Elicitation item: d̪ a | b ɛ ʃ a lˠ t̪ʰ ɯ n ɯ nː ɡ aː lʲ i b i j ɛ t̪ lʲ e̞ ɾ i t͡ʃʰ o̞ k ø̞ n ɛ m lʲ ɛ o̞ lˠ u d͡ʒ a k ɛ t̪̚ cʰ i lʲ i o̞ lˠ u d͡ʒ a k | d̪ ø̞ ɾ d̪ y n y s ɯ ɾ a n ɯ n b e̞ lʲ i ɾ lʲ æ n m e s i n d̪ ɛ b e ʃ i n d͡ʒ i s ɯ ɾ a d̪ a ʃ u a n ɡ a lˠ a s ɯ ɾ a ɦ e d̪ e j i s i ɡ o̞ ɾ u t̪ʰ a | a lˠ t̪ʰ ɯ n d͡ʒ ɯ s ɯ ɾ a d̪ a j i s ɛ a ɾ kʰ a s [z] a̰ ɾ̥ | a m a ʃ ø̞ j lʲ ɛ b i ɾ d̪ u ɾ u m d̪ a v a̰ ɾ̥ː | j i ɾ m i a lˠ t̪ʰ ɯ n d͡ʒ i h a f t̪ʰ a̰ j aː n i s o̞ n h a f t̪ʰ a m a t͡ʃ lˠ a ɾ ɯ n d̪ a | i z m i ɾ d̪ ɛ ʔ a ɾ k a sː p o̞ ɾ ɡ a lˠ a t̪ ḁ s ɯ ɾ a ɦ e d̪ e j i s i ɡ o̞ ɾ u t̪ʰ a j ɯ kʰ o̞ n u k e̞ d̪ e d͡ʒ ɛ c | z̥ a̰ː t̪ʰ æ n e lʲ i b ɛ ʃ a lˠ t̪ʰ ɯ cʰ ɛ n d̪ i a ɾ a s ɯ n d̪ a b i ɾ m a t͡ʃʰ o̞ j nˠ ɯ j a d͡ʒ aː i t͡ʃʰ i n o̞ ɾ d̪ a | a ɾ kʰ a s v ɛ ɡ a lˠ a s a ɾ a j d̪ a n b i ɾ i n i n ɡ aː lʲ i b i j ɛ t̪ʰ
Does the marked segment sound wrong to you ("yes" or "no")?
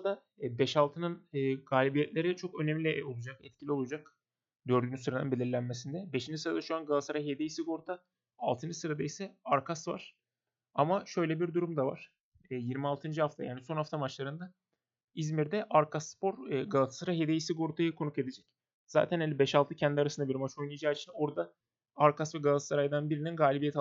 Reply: yes